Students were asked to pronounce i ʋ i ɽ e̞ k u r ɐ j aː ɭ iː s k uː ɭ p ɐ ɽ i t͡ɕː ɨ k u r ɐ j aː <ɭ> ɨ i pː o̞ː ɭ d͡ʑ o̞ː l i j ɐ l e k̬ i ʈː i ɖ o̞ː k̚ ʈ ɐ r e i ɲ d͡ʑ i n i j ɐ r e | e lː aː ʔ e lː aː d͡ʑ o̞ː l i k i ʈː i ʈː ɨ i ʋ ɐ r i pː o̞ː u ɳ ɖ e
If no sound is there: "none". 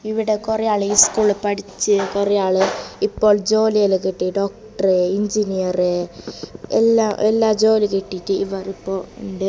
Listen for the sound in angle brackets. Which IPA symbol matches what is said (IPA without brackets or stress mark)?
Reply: ɭ